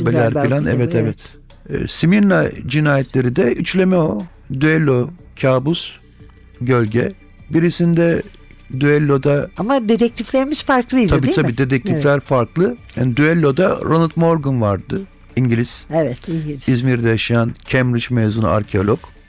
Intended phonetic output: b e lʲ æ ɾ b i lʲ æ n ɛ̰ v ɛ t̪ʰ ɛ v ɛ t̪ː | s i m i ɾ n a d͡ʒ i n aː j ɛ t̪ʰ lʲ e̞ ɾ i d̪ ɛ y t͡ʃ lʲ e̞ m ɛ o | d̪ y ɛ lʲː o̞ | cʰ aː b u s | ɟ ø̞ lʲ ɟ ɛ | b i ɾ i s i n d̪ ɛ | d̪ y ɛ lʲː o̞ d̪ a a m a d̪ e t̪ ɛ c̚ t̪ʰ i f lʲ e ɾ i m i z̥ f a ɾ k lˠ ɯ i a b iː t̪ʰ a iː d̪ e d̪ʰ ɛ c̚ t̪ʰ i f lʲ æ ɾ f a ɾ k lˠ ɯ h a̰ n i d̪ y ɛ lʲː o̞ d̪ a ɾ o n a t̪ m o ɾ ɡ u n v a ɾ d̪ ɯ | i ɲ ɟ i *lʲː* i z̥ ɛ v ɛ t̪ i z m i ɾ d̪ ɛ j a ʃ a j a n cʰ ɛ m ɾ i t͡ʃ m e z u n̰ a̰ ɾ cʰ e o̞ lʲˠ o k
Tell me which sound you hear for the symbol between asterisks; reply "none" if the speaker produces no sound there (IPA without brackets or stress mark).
lʲ